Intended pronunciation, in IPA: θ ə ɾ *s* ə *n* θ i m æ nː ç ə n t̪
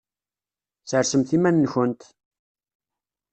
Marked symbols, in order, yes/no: yes, no

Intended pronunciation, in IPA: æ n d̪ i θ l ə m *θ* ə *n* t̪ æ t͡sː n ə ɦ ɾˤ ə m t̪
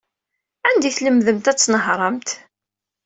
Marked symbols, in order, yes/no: no, no

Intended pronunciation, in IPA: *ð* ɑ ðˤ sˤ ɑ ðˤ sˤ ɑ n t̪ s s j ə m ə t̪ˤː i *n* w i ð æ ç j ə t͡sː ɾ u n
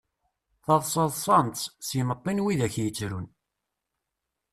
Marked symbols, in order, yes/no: no, yes

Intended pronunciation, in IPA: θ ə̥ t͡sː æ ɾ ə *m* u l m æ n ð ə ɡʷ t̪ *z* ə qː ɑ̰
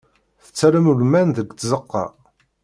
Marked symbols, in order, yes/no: yes, yes

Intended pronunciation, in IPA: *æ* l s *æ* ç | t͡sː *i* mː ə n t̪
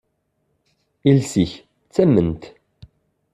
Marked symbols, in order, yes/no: no, no, no

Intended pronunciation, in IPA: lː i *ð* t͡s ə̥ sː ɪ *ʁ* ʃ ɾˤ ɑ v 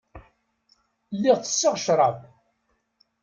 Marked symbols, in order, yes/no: no, yes

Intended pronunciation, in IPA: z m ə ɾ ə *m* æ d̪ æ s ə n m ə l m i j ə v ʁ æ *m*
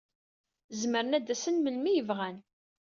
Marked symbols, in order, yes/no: no, no

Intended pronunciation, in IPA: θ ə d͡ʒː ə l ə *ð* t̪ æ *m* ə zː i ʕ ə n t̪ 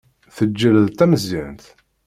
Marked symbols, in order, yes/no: yes, yes

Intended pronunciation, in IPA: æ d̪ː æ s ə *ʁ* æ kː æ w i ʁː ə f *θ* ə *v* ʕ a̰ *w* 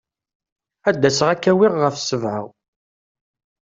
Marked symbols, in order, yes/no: yes, no, yes, yes

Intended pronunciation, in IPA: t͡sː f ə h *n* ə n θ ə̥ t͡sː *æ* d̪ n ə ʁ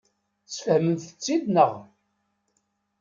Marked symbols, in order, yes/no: no, no

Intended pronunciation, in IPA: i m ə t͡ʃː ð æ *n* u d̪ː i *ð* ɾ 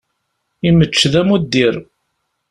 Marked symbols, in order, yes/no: no, no

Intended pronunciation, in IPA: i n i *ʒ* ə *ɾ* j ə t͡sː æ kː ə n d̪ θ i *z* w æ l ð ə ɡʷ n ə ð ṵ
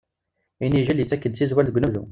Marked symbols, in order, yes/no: yes, no, yes

